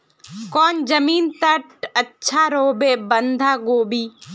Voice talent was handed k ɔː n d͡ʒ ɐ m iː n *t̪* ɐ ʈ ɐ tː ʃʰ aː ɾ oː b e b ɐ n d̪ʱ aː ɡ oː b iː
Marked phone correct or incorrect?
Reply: correct